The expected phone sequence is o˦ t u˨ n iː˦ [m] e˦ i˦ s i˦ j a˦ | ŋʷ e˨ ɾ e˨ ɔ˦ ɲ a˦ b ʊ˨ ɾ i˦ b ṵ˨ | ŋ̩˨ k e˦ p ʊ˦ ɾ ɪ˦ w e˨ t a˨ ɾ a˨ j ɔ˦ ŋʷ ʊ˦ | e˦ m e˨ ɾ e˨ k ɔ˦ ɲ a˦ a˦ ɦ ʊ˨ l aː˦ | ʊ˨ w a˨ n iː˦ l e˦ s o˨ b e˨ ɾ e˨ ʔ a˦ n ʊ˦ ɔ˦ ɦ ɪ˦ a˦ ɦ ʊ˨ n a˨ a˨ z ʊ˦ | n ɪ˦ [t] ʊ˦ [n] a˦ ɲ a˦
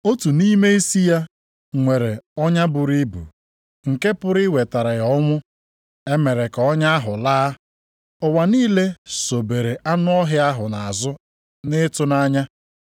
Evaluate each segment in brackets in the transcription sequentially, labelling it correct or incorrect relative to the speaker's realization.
correct, correct, correct

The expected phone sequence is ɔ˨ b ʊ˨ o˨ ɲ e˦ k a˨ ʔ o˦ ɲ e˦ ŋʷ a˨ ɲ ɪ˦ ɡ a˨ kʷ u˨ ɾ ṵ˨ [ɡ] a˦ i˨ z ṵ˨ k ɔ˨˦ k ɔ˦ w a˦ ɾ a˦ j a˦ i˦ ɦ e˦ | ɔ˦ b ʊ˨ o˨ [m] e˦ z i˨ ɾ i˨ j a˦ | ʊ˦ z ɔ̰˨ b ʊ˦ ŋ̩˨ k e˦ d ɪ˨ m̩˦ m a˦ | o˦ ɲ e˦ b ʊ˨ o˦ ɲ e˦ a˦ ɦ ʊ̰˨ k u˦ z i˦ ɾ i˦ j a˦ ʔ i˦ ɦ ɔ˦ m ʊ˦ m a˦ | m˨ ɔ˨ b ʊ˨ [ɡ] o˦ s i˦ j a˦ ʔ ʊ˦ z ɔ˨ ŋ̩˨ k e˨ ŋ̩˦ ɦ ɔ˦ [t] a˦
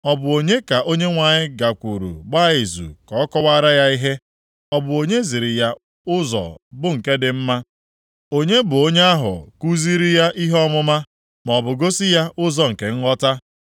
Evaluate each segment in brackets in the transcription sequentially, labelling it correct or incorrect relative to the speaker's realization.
incorrect: ɡ͡b, incorrect: ɲ, correct, correct

